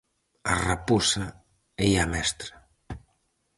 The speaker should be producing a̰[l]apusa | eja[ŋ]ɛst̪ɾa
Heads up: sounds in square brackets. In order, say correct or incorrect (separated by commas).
incorrect, incorrect